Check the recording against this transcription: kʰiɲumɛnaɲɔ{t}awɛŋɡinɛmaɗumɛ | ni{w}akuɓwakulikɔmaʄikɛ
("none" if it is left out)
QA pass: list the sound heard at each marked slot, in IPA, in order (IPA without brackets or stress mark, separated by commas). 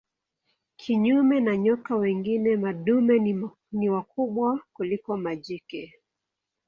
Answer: k, w